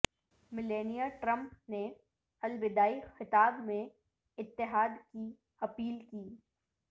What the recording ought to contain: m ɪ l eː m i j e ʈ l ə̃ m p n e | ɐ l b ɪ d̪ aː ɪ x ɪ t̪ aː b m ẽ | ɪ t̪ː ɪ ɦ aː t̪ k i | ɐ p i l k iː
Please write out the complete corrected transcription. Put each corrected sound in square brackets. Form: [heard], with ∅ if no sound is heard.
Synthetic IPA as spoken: m ɪ l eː [n] i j [a] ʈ [ɾ] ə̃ m p n e | ɐ l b ɪ d̪ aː [i] x ɪ t̪ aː b m ẽ | ɪ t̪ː ɪ ɦ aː [d̪] k i | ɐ p [iː] l k iː